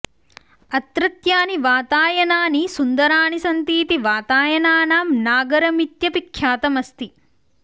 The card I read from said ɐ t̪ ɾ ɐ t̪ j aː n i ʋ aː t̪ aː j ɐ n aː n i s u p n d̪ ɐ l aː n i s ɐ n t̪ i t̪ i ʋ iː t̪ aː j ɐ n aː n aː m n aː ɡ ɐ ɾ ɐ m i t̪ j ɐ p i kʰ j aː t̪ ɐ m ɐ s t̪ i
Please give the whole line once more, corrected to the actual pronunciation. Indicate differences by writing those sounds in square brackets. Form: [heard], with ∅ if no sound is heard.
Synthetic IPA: ɐ t̪ ɾ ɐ t̪ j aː n i ʋ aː t̪ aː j ɐ n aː n i s u [∅] n d̪ ɐ [ɾ] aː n i s ɐ n t̪ [iː] t̪ i ʋ [aː] t̪ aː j ɐ n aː n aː m n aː ɡ ɐ ɾ ɐ m i t̪ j ɐ p i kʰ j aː t̪ ɐ m ɐ s t̪ i